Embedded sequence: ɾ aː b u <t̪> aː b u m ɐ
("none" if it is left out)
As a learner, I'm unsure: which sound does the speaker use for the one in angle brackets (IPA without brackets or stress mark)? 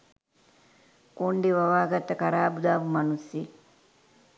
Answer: d̪